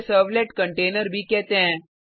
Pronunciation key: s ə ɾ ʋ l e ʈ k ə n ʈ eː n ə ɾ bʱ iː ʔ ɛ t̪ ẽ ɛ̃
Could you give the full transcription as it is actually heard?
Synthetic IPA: s ə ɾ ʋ l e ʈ k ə ɳ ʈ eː n ə ɾ bʱ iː k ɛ t̪ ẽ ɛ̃